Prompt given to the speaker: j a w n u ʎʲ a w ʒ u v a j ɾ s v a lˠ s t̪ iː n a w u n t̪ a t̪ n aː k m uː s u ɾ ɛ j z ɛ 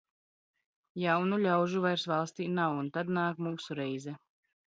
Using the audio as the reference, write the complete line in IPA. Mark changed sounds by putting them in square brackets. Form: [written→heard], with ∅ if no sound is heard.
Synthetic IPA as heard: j a w n u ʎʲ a w ʒ u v a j ɾ s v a lˠ s t̪ iː n a w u n t̪ a [t̪→d̪] n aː k m uː s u ɾ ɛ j z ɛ